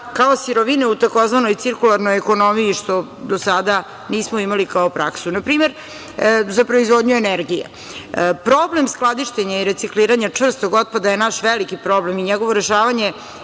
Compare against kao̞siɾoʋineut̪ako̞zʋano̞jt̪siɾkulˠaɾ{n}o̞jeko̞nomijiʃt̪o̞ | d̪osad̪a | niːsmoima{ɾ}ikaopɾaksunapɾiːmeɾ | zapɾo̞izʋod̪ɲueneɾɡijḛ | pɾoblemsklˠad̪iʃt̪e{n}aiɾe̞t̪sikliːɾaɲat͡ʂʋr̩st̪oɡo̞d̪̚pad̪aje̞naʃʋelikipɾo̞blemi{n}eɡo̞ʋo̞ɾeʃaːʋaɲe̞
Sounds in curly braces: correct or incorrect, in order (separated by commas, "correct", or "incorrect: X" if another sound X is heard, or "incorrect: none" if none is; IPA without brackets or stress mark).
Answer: correct, incorrect: l, incorrect: ɲ, incorrect: ɲ